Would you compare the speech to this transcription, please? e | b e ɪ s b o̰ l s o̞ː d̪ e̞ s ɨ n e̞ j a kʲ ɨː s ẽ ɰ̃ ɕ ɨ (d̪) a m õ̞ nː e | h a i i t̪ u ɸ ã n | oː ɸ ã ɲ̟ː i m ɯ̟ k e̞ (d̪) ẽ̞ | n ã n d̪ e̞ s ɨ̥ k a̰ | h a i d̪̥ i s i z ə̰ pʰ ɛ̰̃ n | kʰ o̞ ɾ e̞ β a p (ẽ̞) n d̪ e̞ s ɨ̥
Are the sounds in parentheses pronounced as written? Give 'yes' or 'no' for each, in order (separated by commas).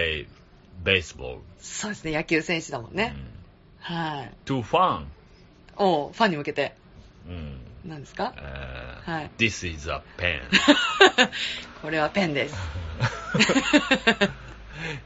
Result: yes, no, yes